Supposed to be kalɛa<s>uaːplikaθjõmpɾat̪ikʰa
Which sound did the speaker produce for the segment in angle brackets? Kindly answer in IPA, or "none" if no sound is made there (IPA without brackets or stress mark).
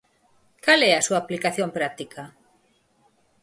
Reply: s